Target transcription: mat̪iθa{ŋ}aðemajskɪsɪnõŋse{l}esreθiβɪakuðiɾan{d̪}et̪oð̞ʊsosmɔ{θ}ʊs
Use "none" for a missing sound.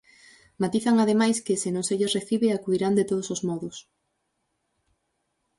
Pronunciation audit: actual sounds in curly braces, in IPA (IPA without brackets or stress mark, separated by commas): ŋ, ʎ, d̪, ð